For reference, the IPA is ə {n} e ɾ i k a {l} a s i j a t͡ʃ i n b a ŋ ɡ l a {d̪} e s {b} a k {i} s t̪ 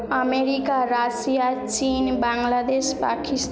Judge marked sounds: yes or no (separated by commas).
no, no, yes, no, yes